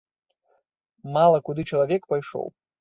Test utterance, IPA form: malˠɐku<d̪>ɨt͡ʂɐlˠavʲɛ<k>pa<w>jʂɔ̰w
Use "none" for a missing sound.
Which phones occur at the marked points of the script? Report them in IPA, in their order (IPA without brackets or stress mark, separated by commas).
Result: d̪, k, none